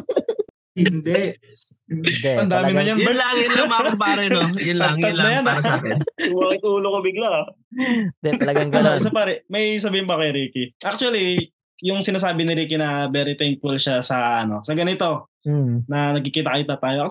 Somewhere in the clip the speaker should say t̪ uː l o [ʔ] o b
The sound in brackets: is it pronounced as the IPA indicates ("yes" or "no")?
no